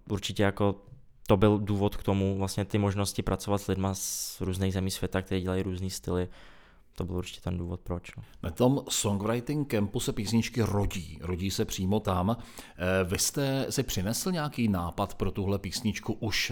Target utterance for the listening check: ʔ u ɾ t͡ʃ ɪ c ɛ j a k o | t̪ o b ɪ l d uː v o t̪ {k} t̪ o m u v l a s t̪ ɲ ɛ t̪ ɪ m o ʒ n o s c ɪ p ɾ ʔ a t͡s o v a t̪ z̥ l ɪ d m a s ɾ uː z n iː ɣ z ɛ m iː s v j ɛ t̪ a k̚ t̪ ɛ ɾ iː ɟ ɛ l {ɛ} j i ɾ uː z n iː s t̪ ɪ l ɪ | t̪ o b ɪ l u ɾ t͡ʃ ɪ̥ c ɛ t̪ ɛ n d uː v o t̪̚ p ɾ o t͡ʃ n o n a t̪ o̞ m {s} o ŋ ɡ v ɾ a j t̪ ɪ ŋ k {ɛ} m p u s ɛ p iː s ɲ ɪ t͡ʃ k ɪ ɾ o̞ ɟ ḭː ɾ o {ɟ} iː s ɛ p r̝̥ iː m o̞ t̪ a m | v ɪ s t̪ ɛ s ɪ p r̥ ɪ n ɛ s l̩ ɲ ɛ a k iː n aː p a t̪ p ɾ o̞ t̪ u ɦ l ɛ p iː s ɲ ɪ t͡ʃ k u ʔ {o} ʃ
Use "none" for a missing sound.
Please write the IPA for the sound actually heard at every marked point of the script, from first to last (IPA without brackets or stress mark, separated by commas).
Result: k, a, s, ɛ, ɟ, u